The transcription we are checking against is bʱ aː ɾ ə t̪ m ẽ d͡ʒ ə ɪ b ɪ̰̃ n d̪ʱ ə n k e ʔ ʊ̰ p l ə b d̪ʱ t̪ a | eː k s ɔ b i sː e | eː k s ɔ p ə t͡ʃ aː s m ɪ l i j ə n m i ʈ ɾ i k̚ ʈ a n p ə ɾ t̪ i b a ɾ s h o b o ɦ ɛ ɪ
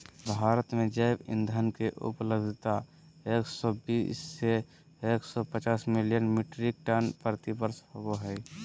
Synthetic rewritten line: bʱ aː ɾ ə t̪ m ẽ d͡ʒ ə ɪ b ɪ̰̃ n d̪ʱ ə n k e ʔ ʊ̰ p l ə b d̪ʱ t̪ a | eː k s ɔ b i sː e | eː k s ɔ p ə t͡ʃ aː s m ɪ l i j ə n m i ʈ ɾ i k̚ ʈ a n p ə ɾ t̪ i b ə ɾ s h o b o ɦ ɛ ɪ